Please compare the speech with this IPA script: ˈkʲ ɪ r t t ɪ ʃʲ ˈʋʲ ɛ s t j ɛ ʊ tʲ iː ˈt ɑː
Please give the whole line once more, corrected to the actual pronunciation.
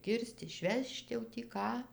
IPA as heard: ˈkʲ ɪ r s t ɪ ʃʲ ˈʋʲ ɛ ʃ t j ɛ ʊ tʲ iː ˈk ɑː